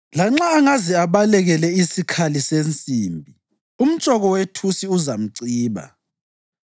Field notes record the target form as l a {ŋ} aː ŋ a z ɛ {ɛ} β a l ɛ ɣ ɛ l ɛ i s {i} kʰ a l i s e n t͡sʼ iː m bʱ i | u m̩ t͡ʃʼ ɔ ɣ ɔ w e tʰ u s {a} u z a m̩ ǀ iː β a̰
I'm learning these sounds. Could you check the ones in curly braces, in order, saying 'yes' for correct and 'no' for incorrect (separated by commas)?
no, no, yes, no